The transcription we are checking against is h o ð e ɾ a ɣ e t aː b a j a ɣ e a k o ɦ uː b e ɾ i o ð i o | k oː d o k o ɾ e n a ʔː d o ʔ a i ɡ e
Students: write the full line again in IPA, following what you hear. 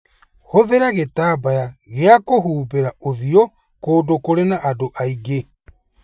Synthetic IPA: h o ð e ɾ a ɣ e t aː b a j a ɣ e a k o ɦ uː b e ɾ a o ð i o | k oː d o k o ɾ e n a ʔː d o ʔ a i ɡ e